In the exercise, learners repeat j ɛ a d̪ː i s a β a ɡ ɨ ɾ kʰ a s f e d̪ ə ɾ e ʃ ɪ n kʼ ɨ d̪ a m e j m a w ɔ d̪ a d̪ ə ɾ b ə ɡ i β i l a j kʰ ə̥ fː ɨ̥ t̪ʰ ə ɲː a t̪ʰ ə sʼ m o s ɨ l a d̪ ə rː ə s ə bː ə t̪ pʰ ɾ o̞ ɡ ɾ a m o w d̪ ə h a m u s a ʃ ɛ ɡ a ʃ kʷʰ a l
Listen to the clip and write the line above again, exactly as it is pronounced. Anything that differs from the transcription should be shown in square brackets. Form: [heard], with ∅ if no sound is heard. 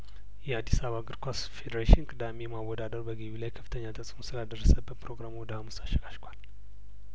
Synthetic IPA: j ɛ a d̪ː i s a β a ɡ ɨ ɾ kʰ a s f e d̪ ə ɾ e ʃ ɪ n kʼ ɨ d̪ a m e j m a w ɔ d̪ a d̪ ə ɾ b ə ɡ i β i l a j kʰ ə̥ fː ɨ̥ t̪ʰ ə ɲː a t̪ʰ ə sʼ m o s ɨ l a d̪ ə rː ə s ə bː ə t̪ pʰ ɾ o̞ ɡ ɾ a m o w d̪ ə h a m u s a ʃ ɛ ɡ a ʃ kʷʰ a l